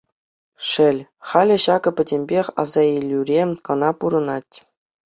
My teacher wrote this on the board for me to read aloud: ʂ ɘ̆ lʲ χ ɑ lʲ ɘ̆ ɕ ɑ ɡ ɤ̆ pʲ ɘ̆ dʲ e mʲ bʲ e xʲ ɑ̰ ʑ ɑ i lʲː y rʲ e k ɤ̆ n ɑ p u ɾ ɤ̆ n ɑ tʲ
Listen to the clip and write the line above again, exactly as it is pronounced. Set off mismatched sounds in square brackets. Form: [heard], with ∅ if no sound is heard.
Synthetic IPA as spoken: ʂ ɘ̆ lʲ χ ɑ lʲ ɘ̆ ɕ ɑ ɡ ɤ̆ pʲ ɘ̆ dʲ e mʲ bʲ e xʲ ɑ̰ [z] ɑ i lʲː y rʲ e k ɤ̆ n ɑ p u ɾ ɤ̆ n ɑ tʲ